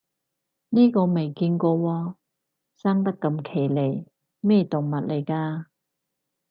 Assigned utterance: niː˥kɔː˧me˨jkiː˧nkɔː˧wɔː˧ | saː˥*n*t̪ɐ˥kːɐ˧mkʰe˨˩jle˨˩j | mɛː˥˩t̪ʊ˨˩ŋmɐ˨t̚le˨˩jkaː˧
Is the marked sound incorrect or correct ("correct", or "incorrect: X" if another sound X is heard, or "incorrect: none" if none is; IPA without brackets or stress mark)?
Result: incorrect: ŋ